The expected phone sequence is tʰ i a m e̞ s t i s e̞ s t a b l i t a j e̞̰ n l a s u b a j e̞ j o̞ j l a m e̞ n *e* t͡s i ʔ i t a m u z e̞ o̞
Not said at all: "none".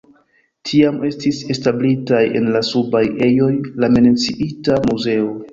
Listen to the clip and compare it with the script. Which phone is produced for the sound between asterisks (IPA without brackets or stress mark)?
e